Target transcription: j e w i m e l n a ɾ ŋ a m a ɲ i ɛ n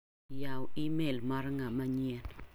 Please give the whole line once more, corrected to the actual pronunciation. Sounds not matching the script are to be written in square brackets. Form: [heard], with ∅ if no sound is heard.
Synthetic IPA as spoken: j [a] w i m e l [m] a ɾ ŋ a m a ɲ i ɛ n